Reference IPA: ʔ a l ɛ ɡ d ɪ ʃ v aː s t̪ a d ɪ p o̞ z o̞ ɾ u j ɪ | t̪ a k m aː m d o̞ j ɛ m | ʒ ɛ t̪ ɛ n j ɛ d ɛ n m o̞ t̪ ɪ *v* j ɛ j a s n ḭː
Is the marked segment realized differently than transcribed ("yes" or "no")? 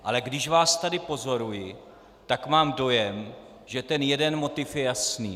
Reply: yes